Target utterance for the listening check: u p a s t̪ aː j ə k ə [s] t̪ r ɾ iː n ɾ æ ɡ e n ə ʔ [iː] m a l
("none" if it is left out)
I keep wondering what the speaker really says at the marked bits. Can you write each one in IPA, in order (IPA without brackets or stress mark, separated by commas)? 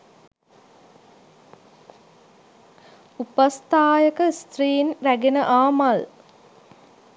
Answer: s, aː